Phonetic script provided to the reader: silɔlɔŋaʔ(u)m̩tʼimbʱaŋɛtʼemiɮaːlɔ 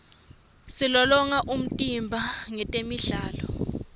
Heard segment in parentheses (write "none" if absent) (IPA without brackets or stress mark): u